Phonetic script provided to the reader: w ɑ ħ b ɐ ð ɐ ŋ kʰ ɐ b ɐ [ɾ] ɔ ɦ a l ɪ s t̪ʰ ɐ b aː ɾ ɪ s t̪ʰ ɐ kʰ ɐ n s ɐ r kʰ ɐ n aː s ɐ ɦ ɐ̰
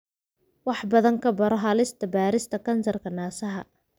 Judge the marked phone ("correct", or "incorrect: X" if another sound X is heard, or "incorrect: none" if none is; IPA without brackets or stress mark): correct